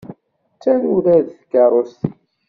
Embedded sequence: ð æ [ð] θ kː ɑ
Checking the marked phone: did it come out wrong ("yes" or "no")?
no